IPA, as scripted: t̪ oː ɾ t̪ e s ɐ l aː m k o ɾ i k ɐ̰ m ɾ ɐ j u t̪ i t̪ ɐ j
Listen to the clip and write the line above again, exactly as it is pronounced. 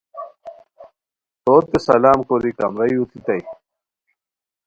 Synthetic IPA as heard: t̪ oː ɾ t̪ e s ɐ l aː m k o ɾ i k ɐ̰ m ɾ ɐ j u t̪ i t̪ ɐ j